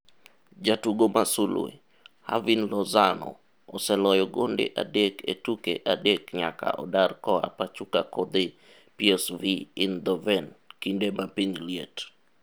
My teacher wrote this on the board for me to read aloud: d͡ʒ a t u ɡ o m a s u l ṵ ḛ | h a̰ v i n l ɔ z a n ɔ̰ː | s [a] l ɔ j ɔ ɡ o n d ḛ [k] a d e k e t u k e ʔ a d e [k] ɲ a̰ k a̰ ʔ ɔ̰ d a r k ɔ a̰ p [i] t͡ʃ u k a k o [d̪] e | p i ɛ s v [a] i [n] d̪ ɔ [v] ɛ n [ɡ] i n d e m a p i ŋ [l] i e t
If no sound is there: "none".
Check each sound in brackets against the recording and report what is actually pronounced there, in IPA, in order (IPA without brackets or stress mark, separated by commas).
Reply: ɛ, ʔ, k, a, d̪, i, n, v, k, l